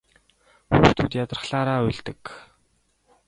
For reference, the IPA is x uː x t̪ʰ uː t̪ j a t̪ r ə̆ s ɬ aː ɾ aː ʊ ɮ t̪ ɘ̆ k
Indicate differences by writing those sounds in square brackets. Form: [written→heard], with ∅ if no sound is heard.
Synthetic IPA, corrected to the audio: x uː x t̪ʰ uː t̪ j a t̪ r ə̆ [s→χ] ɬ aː ɾ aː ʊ ɮ t̪ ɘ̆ k